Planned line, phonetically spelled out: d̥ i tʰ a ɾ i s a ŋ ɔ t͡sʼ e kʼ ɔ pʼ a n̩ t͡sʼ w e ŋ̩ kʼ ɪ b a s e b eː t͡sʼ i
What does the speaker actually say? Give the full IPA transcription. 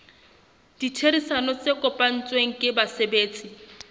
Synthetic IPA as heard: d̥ i tʰ e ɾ i s a n ɔ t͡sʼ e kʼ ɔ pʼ a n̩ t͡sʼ w e ŋ̩ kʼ ɪ b a s e b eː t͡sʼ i